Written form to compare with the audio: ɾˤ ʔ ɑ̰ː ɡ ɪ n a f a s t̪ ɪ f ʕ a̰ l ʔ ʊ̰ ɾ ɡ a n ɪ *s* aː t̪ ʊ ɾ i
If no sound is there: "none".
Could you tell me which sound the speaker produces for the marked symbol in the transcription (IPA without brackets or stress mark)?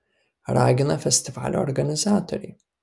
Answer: z